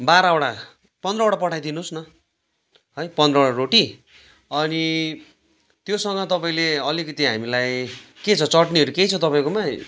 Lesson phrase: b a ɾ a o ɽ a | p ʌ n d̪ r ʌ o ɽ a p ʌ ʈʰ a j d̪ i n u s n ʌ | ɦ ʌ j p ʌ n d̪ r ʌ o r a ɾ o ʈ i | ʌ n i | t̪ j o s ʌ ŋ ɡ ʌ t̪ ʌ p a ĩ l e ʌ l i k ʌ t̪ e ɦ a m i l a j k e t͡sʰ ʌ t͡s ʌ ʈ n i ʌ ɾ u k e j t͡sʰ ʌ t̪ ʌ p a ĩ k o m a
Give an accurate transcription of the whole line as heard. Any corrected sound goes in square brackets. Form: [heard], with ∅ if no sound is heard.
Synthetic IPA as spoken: b a ɾ a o ɽ a | p ʌ n d̪ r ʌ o ɽ a p ʌ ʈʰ a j d̪ i n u s n ʌ | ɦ ʌ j p ʌ n d̪ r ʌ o [ɽ] a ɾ o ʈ i | ʌ n i | t̪ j o s ʌ ŋ ɡ ʌ t̪ ʌ p a ĩ l e ʌ l i k ʌ t̪ [i] ɦ a m i l a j k e t͡sʰ ʌ t͡s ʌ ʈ n i ʌ ɾ u k e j t͡sʰ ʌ t̪ ʌ p a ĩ k o m a